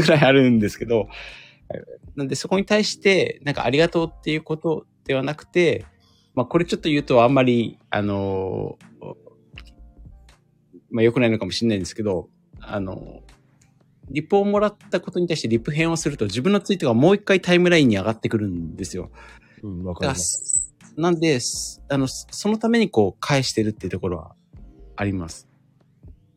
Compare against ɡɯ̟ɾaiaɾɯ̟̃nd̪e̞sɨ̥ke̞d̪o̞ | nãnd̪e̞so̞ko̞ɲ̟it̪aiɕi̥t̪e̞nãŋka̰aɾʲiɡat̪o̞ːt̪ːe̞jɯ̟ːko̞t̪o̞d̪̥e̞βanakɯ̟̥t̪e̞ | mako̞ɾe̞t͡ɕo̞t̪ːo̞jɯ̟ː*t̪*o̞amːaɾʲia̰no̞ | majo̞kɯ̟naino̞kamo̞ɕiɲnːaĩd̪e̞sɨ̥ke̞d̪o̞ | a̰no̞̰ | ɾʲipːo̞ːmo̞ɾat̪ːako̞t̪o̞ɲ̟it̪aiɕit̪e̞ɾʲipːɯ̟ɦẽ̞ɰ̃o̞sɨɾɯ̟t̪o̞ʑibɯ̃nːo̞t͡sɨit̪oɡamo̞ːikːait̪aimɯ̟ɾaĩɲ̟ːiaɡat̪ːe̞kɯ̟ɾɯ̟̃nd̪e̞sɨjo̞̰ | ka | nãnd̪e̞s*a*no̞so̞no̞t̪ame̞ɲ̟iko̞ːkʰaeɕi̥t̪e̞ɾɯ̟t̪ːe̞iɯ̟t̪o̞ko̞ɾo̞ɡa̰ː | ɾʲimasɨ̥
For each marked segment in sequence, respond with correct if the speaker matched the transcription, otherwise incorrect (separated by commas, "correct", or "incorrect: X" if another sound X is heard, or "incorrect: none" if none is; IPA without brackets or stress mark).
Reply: correct, correct